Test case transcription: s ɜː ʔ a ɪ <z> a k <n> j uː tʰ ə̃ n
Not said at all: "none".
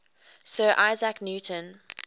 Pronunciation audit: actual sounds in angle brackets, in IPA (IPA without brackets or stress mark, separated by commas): z, n